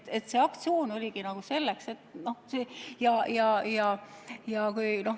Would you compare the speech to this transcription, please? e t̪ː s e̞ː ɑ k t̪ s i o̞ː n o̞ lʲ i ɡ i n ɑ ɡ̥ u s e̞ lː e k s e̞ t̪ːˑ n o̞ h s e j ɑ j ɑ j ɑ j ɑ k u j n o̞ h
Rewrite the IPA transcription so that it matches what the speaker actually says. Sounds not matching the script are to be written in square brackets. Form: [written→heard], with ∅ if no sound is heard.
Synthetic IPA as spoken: e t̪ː s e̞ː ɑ k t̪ s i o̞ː n o̞ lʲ i ɡ i n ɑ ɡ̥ u s e̞ lː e k s e̞ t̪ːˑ n o̞ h s e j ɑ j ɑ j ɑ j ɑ k u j n o̞ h